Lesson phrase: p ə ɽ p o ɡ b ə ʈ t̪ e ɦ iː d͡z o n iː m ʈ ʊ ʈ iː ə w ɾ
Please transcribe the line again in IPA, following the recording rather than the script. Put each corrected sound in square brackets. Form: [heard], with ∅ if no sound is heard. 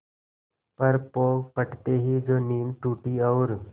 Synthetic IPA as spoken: p ə [ɾ] p o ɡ [p] ə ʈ t̪ e ɦ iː d͡z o n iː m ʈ [u] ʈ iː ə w ɾ